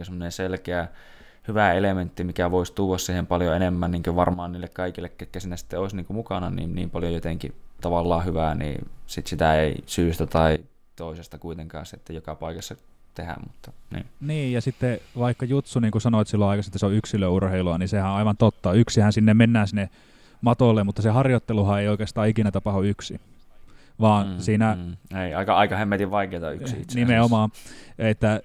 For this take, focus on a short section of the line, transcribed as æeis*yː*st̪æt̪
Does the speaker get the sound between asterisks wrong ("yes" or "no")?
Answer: no